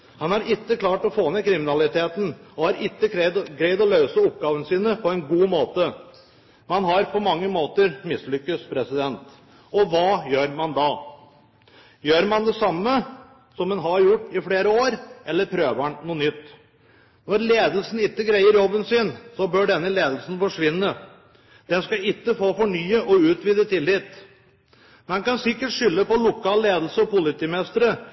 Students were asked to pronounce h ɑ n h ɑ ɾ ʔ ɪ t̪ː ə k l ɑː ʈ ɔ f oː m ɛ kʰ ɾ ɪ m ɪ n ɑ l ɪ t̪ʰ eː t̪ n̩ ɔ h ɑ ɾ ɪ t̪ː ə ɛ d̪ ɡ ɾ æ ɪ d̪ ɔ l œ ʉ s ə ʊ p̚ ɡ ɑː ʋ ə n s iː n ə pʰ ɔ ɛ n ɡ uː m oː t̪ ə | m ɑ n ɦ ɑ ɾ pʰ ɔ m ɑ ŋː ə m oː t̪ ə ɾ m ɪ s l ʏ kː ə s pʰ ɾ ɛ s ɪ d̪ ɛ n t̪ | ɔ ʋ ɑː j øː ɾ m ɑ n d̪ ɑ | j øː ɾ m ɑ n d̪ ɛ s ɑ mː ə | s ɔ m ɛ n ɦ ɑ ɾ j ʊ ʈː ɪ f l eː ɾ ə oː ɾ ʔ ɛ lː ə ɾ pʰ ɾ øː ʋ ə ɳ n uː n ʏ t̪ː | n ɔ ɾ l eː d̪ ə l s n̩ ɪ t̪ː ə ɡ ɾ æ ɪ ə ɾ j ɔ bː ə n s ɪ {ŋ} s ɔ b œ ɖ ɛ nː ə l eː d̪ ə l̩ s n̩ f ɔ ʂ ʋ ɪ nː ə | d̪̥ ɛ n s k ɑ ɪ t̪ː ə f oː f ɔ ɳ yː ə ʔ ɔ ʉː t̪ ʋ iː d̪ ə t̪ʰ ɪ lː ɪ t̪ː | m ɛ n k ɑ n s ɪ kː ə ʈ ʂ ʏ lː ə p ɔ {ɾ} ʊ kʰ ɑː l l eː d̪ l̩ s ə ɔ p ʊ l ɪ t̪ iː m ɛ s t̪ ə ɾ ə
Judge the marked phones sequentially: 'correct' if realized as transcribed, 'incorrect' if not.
incorrect: n, incorrect: l

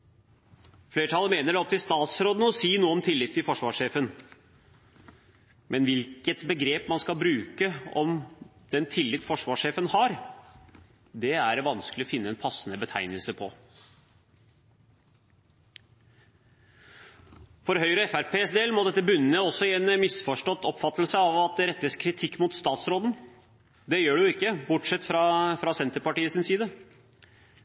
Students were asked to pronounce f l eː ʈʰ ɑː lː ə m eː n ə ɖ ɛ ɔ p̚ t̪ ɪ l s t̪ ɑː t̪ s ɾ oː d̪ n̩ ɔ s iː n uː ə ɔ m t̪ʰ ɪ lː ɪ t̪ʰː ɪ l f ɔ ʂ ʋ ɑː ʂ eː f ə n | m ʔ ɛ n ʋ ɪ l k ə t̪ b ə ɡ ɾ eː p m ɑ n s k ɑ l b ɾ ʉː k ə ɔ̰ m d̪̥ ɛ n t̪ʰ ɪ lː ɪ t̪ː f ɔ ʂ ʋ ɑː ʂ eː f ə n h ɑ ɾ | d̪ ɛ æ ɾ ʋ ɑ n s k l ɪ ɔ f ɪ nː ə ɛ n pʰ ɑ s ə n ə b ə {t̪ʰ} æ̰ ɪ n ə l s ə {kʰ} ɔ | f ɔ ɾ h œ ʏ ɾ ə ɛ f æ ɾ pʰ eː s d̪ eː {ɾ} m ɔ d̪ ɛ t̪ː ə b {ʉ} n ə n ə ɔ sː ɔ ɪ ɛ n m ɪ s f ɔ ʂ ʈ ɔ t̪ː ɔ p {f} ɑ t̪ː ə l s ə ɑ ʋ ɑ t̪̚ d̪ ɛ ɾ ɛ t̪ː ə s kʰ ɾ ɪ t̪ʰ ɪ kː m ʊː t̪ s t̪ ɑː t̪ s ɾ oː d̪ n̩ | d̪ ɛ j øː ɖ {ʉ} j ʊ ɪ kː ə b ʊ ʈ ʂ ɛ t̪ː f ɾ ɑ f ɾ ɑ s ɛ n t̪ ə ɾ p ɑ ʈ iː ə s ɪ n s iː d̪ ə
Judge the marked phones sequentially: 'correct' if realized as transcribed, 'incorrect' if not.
correct, incorrect: pʰ, incorrect: l, correct, correct, correct

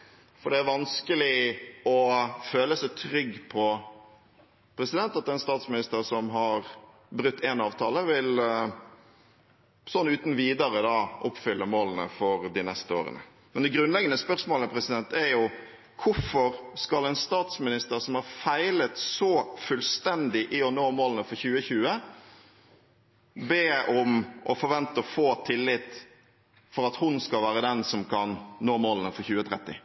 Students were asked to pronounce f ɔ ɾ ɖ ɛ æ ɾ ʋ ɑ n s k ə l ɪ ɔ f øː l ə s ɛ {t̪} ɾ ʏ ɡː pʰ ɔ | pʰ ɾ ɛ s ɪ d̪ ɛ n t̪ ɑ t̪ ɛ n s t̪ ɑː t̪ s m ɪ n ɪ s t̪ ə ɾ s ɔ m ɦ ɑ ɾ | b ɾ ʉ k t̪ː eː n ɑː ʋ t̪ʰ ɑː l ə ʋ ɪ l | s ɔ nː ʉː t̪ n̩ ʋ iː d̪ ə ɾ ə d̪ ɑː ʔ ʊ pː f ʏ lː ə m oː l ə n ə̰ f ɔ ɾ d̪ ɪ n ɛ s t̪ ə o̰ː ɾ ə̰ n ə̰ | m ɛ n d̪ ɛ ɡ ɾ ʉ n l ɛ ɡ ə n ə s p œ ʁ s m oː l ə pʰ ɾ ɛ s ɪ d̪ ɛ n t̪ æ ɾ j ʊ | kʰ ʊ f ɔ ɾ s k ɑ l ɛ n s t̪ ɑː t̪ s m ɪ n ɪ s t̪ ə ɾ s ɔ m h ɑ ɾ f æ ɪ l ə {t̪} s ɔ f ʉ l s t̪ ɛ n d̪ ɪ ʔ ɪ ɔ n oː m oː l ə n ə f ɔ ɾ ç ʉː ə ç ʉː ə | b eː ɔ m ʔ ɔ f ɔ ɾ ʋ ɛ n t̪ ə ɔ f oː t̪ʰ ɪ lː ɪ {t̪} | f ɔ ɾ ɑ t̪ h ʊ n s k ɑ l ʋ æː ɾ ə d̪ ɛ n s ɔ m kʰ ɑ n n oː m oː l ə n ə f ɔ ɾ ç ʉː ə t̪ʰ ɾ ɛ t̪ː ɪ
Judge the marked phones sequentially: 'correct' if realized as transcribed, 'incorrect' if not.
incorrect: t̪ʰ, correct, correct

